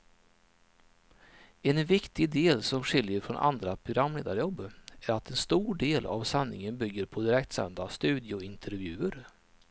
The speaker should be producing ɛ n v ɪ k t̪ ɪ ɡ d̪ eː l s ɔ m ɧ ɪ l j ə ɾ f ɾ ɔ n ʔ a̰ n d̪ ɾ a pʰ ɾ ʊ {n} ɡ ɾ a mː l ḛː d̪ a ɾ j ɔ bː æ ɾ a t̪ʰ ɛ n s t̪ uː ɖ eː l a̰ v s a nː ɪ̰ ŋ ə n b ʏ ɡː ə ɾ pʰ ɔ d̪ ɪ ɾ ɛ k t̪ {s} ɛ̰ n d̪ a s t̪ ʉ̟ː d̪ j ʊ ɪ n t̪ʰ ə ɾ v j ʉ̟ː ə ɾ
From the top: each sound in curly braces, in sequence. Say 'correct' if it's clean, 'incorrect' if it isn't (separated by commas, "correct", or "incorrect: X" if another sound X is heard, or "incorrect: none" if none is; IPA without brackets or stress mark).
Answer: incorrect: none, correct